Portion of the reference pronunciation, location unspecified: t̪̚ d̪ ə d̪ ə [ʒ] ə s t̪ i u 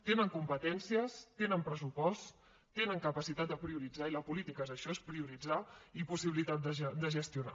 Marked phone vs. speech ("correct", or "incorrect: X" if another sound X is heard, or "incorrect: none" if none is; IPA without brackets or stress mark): correct